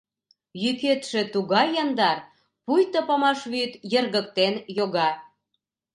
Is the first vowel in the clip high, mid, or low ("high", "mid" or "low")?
high